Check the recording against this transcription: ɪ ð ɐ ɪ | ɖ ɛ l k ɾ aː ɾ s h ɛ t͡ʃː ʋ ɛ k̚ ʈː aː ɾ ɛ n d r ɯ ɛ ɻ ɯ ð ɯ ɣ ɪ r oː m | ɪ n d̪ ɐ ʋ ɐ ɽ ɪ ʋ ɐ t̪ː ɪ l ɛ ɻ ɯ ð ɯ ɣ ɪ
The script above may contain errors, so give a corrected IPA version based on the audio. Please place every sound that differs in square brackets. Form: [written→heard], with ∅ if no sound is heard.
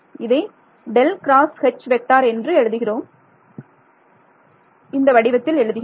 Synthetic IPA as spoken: ɪ ð ɐ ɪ | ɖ ɛ l k ɾ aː [ɾ→∅] s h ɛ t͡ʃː ʋ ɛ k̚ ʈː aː ɾ ɛ n d r ɯ ɛ ɻ ɯ ð ɯ ɣ ɪ r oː m | ɪ n d̪ ɐ ʋ ɐ ɽ ɪ ʋ ɐ t̪ː ɪ l ɛ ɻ ɯ ð ɯ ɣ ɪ